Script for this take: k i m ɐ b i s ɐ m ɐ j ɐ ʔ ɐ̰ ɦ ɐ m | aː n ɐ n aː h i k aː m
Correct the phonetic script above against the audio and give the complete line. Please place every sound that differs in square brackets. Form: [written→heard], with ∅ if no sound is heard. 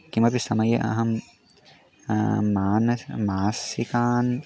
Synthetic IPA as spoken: k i m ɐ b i s ɐ m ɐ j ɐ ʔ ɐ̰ ɦ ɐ m | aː n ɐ [n→m] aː [h→s] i k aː [m→n]